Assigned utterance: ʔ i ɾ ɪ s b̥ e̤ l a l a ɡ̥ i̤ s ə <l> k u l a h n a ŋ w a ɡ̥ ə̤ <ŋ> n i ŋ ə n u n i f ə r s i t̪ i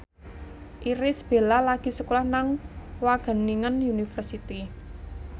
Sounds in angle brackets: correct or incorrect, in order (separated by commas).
incorrect, incorrect